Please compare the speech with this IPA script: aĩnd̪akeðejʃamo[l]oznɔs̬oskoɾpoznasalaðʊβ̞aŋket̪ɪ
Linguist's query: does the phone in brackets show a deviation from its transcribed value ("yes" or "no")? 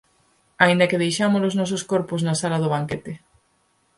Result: no